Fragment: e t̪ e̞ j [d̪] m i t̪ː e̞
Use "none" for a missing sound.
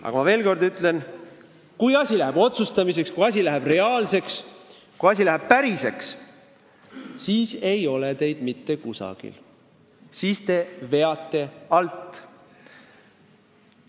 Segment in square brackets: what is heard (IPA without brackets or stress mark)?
d̪